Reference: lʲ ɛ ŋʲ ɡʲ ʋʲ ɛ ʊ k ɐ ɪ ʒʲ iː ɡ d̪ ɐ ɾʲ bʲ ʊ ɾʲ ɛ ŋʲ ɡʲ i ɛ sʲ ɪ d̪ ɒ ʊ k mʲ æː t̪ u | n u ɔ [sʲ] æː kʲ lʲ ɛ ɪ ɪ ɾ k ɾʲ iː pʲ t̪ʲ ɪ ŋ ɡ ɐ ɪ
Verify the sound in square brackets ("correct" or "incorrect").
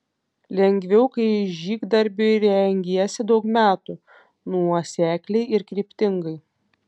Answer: correct